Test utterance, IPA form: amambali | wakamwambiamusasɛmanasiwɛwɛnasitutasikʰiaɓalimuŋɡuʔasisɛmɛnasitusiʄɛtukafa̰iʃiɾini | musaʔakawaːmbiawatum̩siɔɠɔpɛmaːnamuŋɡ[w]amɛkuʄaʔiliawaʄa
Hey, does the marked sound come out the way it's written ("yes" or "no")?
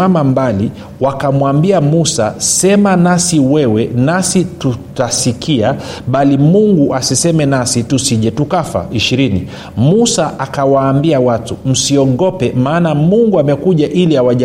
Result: no